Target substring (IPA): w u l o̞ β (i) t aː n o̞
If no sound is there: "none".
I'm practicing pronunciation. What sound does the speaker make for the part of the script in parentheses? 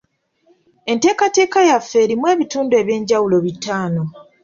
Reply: i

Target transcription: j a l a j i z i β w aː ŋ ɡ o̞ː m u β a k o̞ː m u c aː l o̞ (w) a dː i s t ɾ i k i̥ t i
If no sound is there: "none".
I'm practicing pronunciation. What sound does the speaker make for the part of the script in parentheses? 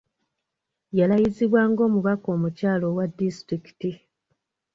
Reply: w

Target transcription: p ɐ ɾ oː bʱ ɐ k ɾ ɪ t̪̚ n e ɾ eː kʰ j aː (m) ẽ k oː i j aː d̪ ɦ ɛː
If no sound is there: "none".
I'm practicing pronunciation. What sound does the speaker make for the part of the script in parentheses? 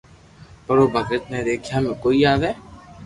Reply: m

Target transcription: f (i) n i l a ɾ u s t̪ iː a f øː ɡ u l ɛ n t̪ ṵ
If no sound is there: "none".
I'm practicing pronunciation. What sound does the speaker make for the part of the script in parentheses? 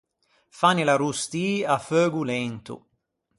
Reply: a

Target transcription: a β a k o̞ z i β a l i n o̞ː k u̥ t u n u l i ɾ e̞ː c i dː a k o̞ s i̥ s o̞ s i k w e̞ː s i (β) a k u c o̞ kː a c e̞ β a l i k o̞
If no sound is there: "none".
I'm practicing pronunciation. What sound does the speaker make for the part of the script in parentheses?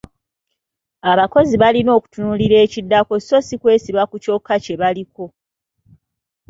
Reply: β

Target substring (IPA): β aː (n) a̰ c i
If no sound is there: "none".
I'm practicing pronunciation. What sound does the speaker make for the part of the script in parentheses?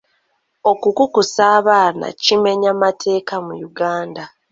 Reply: n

